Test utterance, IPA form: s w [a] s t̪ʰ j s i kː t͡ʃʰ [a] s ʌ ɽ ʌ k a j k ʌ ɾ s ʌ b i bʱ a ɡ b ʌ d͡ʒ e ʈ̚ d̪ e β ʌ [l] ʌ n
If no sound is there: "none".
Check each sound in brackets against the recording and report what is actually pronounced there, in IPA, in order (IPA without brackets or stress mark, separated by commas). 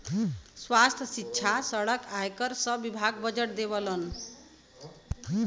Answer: a, a, l